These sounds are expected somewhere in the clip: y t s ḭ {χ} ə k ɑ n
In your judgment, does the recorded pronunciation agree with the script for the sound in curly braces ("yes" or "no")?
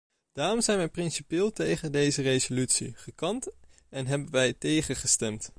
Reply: yes